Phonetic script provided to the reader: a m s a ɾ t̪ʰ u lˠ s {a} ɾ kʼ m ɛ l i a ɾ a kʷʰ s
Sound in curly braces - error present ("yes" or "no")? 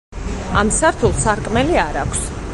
no